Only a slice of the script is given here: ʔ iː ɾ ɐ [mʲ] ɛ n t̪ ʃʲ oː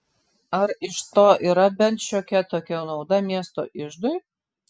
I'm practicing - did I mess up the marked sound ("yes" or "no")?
yes